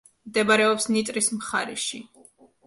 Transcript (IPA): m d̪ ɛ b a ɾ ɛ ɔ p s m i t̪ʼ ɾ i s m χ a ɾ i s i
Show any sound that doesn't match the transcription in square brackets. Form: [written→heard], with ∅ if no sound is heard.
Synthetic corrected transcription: m d̪ ɛ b a ɾ ɛ ɔ p s [m→n] i t̪ʼ ɾ i s m χ a ɾ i [s→ʃ] i